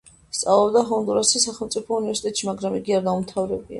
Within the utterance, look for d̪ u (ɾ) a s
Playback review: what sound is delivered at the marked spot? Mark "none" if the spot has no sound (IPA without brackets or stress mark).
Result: ɾ